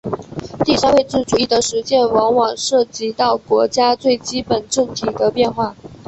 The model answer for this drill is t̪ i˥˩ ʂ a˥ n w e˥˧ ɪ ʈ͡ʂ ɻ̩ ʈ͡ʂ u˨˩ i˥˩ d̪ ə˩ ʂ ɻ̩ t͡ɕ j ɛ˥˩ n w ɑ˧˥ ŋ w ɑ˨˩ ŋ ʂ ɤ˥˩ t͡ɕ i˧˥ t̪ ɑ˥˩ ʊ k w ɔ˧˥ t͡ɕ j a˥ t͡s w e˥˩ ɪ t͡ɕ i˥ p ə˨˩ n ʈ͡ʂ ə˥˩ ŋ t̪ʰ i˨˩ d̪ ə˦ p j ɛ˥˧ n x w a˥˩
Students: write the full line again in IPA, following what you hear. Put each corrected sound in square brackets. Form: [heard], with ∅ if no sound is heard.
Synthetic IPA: t̪ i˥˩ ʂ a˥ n w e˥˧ ɪ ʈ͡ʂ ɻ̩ ʈ͡ʂ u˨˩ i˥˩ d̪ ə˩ ʂ ɻ̩ t͡ɕ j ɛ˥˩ n w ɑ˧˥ ŋ w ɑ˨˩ ŋ ʂ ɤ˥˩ t͡ɕ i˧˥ t̪ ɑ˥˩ ʊ k w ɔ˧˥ t͡ɕ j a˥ t͡s w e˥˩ ɪ t͡ɕ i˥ p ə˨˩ n ʈ͡ʂ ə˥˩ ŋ t̪ʰ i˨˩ d̪ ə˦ p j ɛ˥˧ n x w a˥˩